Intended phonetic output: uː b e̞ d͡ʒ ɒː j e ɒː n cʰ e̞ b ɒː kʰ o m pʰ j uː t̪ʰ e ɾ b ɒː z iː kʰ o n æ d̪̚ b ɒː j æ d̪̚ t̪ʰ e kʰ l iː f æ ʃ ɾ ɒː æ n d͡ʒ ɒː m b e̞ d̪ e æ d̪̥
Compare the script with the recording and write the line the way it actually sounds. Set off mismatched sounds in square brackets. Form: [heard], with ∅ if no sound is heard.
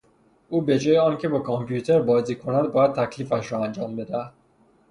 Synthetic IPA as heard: uː b e̞ d͡ʒ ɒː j e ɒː n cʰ e̞ b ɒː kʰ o m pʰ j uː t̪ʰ e ɾ b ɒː z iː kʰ o n æ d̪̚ b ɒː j æ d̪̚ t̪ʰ [æ] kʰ l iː f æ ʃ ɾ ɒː æ n d͡ʒ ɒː m b e̞ d̪ [æ] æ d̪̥